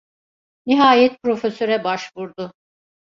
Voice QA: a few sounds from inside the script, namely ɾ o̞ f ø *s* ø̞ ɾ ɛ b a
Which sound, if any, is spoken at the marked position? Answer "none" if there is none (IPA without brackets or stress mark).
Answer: s